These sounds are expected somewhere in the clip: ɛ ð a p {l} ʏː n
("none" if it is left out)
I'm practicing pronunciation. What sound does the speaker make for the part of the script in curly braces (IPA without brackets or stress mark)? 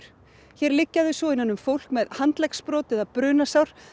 ɾ